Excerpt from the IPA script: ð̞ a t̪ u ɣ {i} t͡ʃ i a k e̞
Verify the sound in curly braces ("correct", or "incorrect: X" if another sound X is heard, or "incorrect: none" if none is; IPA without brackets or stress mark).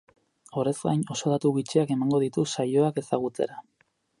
correct